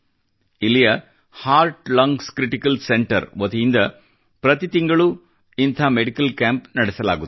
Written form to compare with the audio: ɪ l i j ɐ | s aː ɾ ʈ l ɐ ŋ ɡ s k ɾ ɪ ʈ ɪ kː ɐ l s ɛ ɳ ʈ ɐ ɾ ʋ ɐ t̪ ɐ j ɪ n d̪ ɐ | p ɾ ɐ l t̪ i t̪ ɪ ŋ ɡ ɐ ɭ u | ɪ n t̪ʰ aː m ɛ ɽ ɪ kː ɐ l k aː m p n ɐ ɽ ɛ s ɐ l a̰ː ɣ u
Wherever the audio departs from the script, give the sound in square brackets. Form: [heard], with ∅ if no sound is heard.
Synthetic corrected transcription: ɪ l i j ɐ | [h] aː ɾ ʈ l ɐ ŋ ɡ s k ɾ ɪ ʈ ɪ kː ɐ l s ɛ ɳ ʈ ɐ ɾ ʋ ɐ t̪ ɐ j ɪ n d̪ ɐ | p ɾ ɐ [∅] t̪ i t̪ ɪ ŋ ɡ ɐ ɭ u | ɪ n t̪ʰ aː m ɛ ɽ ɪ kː ɐ l k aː m p n ɐ ɽ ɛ s ɐ l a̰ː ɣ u

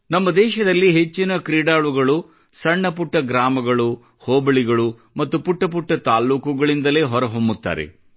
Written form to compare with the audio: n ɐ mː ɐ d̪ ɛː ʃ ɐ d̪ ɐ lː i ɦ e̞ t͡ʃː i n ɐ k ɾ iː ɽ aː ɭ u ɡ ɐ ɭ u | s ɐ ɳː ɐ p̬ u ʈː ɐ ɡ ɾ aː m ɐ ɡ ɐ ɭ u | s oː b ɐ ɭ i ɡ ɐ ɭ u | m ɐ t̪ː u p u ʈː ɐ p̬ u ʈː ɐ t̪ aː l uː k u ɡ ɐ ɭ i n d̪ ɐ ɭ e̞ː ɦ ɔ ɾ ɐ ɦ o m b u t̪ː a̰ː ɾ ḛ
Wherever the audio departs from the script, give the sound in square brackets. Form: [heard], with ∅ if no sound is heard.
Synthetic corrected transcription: n ɐ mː ɐ d̪ ɛː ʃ ɐ d̪ ɐ lː i ɦ e̞ t͡ʃː i n ɐ k ɾ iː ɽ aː ɭ u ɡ ɐ ɭ u | s ɐ ɳː ɐ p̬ u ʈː ɐ ɡ ɾ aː m ɐ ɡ ɐ ɭ u | [h] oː b ɐ ɭ i ɡ ɐ ɭ u | m ɐ t̪ː u p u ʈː ɐ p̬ u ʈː ɐ t̪ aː l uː k u ɡ ɐ ɭ i n d̪ ɐ [l] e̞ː ɦ ɔ ɾ ɐ ɦ o m b u t̪ː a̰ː ɾ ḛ

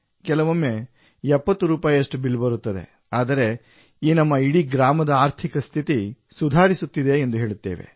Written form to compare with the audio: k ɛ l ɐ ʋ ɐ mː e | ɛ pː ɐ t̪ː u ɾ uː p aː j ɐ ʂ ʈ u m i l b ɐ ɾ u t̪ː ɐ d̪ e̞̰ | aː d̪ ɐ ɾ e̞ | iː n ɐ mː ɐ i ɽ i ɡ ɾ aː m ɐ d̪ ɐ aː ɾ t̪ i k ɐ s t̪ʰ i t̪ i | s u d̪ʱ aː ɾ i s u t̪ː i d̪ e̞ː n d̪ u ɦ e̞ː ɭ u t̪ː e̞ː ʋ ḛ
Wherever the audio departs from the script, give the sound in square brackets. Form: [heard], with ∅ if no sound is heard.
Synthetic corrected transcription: k ɛ l ɐ ʋ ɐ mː e | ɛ pː ɐ t̪ː u ɾ uː p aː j ɐ ʂ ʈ u [b] i l b ɐ ɾ u t̪ː ɐ d̪ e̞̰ | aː d̪ ɐ ɾ e̞ | iː n ɐ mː ɐ i ɽ i ɡ ɾ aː m ɐ d̪ ɐ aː ɾ [t̪ʰ] i k ɐ s t̪ʰ i t̪ i | s u d̪ʱ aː ɾ i s u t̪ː i d̪ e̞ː n d̪ u ɦ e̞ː ɭ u t̪ː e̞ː ʋ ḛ

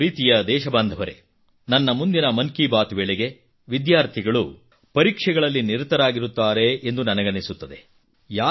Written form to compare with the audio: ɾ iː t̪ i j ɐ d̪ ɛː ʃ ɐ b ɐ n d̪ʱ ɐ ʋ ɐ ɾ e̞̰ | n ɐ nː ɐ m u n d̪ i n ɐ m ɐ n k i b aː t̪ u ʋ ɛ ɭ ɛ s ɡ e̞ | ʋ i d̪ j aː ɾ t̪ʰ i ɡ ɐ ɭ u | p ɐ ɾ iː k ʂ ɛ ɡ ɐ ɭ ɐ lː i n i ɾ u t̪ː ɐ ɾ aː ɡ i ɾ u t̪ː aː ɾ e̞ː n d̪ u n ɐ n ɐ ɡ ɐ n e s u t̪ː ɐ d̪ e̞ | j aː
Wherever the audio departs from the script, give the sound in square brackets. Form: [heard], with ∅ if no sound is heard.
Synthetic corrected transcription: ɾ iː t̪ i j ɐ d̪ ɛː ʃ ɐ b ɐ n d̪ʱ ɐ ʋ ɐ ɾ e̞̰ | n ɐ nː ɐ m u n d̪ i n ɐ m ɐ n k i b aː t̪ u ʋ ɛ ɭ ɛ [∅] ɡ e̞ | ʋ i d̪ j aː ɾ t̪ʰ i ɡ ɐ ɭ u | p ɐ ɾ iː k ʂ ɛ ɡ ɐ ɭ ɐ lː i n i ɾ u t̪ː ɐ ɾ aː ɡ i ɾ u t̪ː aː ɾ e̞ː n d̪ u n ɐ n ɐ ɡ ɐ n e s u t̪ː ɐ d̪ e̞ | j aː

